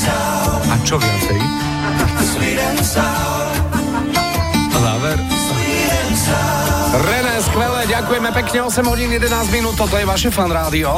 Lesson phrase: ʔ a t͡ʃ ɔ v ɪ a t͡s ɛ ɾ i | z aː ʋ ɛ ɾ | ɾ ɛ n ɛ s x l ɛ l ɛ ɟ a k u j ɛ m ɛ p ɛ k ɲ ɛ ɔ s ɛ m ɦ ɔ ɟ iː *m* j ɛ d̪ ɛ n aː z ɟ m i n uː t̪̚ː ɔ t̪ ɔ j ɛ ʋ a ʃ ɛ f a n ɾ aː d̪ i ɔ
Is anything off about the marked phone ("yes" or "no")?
yes